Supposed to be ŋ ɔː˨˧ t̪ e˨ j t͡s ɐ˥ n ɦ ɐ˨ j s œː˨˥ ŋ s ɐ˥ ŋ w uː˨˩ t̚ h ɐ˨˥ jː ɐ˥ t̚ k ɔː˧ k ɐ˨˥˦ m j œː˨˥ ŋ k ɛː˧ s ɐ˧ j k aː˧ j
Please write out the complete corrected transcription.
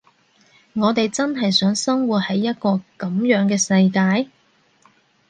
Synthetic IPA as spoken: ŋ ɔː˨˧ t̪ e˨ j t͡s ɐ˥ n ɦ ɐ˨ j s œː˨˥ ŋ s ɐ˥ ŋ w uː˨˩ t̚ h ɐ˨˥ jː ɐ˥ t̚ k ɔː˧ k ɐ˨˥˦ m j œː˨˥ ŋ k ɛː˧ s ɐ˧ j k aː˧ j